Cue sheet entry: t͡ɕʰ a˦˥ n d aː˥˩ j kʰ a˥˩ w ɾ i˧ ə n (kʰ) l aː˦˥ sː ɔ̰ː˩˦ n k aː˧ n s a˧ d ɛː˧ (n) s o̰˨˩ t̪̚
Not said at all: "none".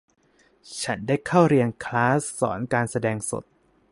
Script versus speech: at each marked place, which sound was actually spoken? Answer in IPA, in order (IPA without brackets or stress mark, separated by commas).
kʰ, ŋ